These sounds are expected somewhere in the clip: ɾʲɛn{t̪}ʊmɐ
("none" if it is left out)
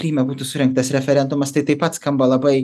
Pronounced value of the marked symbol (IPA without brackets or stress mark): d̪